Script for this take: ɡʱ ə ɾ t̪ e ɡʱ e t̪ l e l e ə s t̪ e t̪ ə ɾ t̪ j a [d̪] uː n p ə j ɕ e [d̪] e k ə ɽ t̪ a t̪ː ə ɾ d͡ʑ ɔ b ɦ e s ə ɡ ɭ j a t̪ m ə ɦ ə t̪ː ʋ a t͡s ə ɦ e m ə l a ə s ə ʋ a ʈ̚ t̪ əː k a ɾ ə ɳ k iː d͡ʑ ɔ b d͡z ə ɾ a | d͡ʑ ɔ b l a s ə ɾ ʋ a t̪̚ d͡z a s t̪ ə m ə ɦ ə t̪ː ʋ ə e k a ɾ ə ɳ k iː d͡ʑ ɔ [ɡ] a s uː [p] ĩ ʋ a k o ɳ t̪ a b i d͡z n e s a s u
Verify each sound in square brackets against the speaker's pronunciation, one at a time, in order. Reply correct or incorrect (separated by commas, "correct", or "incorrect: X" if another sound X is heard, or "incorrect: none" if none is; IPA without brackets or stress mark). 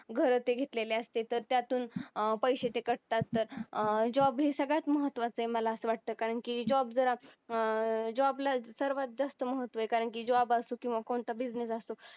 incorrect: t̪, incorrect: t̪, incorrect: b, incorrect: k